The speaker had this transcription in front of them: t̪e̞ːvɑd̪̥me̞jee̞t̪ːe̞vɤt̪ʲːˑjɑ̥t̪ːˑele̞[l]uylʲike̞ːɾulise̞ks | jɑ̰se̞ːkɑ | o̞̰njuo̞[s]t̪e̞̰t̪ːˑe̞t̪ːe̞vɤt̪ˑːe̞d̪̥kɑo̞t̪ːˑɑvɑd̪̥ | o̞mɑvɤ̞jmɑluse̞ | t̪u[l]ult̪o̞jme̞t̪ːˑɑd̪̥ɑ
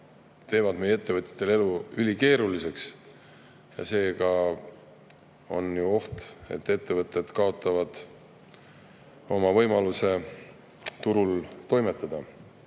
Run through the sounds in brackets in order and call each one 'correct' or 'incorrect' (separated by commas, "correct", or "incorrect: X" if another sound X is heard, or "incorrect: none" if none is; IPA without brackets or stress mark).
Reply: correct, incorrect: h, incorrect: ɾ